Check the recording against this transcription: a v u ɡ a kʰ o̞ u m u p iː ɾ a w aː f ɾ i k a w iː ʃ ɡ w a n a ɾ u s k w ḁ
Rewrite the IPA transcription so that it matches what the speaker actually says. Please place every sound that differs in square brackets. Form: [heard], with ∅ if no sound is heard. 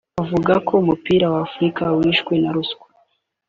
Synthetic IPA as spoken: a v u ɡ a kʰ o̞ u m u p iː ɾ a w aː f ɾ i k a w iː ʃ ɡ w [e] n a ɾ u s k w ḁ

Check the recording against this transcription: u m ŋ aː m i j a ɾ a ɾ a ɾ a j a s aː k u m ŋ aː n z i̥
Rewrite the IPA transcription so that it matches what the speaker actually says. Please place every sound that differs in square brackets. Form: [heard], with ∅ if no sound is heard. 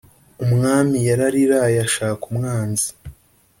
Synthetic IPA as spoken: u m ŋ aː m i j a ɾ a ɾ [i] ɾ a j a [ʃ] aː k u m ŋ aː n z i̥

